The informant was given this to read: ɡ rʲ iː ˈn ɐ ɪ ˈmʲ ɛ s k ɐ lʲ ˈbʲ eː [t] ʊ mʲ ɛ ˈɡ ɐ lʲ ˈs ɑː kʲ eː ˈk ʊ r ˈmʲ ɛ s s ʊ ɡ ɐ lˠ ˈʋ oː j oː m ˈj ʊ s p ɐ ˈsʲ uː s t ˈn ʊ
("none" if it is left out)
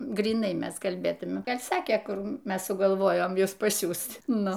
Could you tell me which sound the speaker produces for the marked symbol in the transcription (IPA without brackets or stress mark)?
t